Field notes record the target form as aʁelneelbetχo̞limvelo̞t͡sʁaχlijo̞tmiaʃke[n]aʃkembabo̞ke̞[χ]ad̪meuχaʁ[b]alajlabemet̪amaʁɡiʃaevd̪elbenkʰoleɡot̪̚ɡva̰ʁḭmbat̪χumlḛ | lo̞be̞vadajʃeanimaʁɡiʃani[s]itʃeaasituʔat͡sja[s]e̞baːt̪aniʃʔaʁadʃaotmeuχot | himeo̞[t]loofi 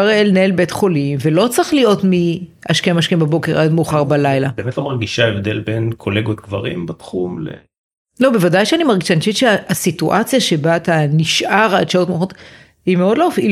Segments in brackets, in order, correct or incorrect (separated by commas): incorrect, incorrect, correct, incorrect, incorrect, incorrect